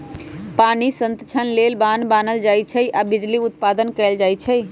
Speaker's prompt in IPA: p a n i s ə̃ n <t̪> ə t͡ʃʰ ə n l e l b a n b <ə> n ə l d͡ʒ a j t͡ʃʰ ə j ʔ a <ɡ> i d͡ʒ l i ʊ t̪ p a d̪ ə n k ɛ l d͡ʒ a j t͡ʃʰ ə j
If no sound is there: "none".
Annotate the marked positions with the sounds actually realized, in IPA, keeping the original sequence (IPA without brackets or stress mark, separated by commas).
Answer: t̪, a, b